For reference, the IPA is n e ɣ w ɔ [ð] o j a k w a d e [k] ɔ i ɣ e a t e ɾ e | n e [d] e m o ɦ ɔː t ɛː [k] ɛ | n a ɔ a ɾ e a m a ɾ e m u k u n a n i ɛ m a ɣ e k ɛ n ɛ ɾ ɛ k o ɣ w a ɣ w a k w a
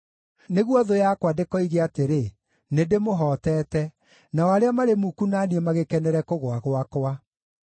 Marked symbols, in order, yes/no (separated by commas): yes, yes, yes, no